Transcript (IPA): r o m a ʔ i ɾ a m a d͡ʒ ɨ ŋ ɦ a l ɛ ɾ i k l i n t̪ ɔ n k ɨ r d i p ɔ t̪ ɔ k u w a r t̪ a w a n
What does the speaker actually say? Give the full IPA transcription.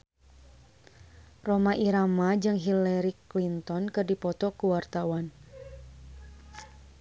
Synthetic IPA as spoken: r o m a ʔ i ɾ a m a d͡ʒ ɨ ŋ ɦ i l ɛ ɾ i k l i n t̪ ɔ n k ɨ r d i p ɔ t̪ ɔ k u w a r t̪ a w a n

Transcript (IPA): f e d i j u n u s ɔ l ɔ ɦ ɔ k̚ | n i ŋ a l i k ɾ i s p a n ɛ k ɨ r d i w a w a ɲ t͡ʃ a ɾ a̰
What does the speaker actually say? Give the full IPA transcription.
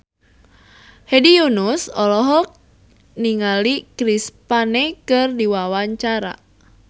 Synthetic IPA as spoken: h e d i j u n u s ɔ l ɔ ɦ ɔ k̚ | n i ŋ a l i k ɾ i s p a n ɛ k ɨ r d i w a w a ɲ t͡ʃ a ɾ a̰

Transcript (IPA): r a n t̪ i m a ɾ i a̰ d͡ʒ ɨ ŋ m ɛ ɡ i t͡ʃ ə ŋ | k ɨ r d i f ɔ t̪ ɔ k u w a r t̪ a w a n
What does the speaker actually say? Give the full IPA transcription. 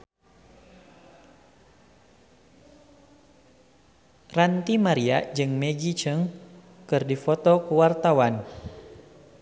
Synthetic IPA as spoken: r a n t̪ i m a ɾ i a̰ d͡ʒ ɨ ŋ m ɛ ɡ i t͡ʃ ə ŋ | k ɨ r d i f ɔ t̪ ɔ k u w a r t̪ a w a n

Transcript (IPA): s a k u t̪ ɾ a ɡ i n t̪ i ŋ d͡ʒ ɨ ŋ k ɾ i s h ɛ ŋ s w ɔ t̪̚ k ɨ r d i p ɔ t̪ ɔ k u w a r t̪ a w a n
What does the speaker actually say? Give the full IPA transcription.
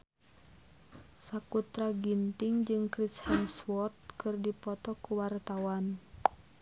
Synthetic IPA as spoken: s a k u t̪ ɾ a ɡ i n t̪ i ŋ d͡ʒ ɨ ŋ k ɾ i s h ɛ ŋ s w ɔ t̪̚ k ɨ r d i p ɔ t̪ ɔ k u w a r t̪ a w a n

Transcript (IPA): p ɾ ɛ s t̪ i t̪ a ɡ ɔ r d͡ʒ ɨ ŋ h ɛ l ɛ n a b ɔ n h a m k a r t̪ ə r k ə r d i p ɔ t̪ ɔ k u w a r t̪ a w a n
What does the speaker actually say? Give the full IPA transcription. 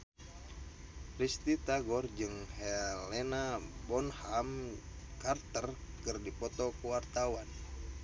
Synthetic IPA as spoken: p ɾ i s t̪ i t̪ a ɡ ɔ r d͡ʒ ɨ ŋ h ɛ l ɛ n a b ɔ n h a m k a r t̪ ə r k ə r d i p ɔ t̪ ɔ k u w a r t̪ a w a n

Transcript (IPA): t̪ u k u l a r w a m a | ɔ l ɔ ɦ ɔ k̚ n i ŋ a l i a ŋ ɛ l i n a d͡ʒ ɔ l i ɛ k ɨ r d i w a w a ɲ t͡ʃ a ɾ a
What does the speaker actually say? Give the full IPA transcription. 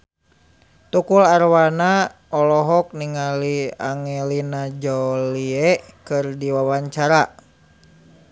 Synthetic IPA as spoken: t̪ u k u l a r w a n a | ɔ l ɔ ɦ ɔ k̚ n i ŋ a l i a ŋ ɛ l i n a d͡ʒ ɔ l i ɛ k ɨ r d i w a w a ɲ t͡ʃ a ɾ a

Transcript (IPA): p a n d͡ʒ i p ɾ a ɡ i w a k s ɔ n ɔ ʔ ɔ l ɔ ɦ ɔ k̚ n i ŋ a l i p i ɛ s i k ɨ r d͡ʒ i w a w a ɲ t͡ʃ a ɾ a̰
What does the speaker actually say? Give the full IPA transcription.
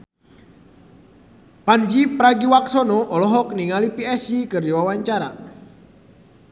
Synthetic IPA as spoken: p a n d͡ʒ i p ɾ a ɡ i w a k s ɔ n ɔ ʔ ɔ l ɔ ɦ ɔ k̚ n i ŋ a l i p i ɛ s i k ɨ r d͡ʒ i w a w a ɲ t͡ʃ a ɾ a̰

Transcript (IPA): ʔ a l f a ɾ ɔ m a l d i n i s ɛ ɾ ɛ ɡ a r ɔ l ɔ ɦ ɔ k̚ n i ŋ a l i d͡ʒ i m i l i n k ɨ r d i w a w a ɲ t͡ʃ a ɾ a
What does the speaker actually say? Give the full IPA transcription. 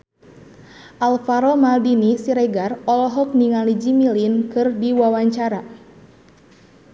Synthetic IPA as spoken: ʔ a l f a ɾ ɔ m a l d i n i s i ɾ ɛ ɡ a r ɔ l ɔ ɦ ɔ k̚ n i ŋ a l i d͡ʒ i m i l i n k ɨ r d i w a w a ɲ t͡ʃ a ɾ a

